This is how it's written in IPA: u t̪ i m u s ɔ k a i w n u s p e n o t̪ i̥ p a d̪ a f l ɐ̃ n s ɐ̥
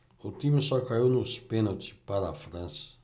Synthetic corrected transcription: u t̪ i m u s ɔ k a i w n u s p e n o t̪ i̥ p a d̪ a f ɾ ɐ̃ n s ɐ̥